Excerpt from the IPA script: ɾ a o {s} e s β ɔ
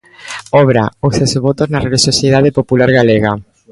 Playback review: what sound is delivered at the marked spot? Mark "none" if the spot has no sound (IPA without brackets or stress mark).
s